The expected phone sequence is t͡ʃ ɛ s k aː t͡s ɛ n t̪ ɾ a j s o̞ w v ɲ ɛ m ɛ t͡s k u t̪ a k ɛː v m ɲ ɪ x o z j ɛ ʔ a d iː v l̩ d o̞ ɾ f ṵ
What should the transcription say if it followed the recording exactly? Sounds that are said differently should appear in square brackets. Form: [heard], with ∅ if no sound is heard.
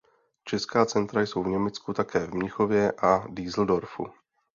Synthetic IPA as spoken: t͡ʃ ɛ s k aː t͡s ɛ n t̪ ɾ a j s o̞ w v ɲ ɛ m ɛ t͡s k u t̪ a k ɛː v m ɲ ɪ x o [v] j ɛ ʔ a d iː [z] l̩ d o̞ ɾ f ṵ

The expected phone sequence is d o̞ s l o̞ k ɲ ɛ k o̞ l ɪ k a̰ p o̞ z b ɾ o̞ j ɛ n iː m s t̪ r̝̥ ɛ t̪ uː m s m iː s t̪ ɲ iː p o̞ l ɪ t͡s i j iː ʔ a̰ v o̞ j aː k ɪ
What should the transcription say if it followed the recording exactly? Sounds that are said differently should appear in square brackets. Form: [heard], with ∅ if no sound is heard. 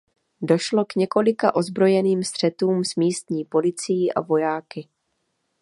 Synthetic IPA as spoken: d o̞ [ʃ] l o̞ k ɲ ɛ k o̞ l ɪ k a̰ [ʔ] o̞ z b ɾ o̞ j ɛ n iː m s t̪ r̝̥ ɛ t̪ uː m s m iː s t̪ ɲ iː p o̞ l ɪ t͡s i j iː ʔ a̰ v o̞ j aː k ɪ

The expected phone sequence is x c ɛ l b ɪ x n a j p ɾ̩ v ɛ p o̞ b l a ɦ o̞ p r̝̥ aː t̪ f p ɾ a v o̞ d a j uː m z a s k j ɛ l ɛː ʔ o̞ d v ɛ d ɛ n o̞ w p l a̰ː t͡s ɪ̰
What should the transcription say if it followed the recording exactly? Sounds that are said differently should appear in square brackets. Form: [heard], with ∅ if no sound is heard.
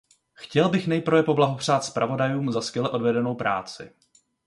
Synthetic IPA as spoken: x c ɛ l b ɪ x n [ɛ] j p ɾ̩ v ɛ p o̞ b l a ɦ o̞ p r̝̥ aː t̪ [s] p ɾ a v o̞ d a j uː m z a s k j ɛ l [ɛ] ʔ o̞ d v ɛ d ɛ n o̞ w p [ɾ] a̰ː t͡s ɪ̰

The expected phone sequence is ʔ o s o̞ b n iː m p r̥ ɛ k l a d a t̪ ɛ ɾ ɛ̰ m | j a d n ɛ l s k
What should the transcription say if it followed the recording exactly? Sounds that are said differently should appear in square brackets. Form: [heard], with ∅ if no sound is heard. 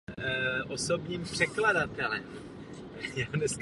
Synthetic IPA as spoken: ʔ o s o̞ b [ɲ] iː m p r̥ ɛ k l a d a t̪ ɛ [l] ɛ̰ m | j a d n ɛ [∅] s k

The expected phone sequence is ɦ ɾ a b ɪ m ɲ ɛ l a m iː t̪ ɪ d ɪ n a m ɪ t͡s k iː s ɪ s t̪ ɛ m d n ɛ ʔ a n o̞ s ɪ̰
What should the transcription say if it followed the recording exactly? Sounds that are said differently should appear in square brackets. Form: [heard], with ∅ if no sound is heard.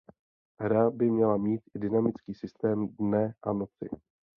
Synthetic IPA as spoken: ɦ ɾ a b ɪ m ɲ ɛ l a m iː t̪ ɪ d ɪ n a m ɪ t͡s k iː s ɪ s t̪ [ɛː] m d n ɛ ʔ a n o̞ [t͡s] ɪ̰

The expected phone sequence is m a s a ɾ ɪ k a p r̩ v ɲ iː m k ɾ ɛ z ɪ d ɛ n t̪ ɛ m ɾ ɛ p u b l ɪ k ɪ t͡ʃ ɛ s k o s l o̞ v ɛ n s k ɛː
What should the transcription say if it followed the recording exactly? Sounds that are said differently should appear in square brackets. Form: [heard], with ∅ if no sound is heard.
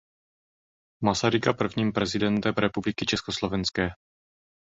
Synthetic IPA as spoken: m a s a ɾ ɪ k a p r̩ v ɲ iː m [p] ɾ ɛ z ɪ d ɛ n t̪ ɛ m ɾ ɛ p u b l ɪ k ɪ t͡ʃ ɛ s k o s l o̞ v ɛ n s k ɛː

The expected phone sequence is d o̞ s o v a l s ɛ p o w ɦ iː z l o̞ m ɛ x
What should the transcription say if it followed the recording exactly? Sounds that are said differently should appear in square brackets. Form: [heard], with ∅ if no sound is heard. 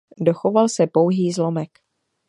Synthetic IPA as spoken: d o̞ [x] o v a l s ɛ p o w ɦ iː z l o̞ m ɛ [k]

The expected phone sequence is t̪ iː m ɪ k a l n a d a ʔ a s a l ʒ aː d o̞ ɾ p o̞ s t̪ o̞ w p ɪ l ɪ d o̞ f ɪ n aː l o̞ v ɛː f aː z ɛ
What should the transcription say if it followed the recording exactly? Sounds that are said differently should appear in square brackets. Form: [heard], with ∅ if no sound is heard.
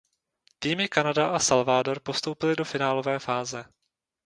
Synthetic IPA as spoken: t̪ iː m ɪ k a [∅] n a d a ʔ a s a l [v] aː d o̞ ɾ p o̞ s t̪ o̞ w p ɪ l ɪ d o̞ f ɪ n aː l o̞ v ɛː f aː z ɛ

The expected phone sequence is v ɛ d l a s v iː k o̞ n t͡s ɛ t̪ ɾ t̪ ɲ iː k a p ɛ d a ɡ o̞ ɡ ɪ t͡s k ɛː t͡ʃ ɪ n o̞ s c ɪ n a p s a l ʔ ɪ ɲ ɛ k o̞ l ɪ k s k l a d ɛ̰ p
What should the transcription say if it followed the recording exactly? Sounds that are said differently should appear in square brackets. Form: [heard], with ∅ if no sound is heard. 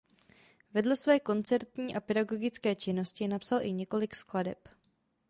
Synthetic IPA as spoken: v ɛ d l [ɛ] s v [ɛː] k o̞ n t͡s ɛ [∅] ɾ t̪ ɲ iː [ʔ] a p ɛ d a ɡ o̞ ɡ ɪ t͡s k ɛː t͡ʃ ɪ n o̞ s c ɪ n a p s a l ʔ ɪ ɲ ɛ k o̞ l ɪ k s k l a d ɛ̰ p

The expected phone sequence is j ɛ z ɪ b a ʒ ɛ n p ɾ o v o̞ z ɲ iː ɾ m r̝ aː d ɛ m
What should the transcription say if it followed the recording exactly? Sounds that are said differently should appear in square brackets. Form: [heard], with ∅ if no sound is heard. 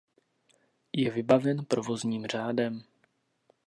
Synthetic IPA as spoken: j ɛ [v] ɪ b a [v] ɛ n p ɾ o v o̞ z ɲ iː [∅] m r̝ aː d ɛ m

